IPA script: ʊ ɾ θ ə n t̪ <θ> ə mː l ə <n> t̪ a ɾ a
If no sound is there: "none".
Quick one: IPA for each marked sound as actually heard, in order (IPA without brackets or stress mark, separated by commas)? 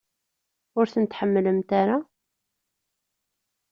ħ, m